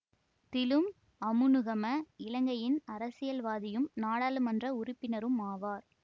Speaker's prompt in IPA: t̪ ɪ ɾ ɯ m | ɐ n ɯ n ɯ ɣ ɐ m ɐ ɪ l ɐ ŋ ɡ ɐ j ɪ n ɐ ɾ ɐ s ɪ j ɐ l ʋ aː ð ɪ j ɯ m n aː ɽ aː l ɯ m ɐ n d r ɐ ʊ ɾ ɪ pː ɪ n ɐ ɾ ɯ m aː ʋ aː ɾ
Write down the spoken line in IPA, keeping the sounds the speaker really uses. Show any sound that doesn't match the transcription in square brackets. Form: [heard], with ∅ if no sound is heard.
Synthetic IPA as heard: t̪ ɪ [l] ɯ m | ɐ [m] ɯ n ɯ ɣ ɐ m ɐ ɪ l ɐ ŋ ɡ ɐ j ɪ n ɐ ɾ ɐ s ɪ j ɐ l ʋ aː ð ɪ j ɯ m n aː ɽ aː l ɯ m ɐ n d r ɐ ʊ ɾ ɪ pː ɪ n ɐ ɾ ɯ m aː ʋ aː ɾ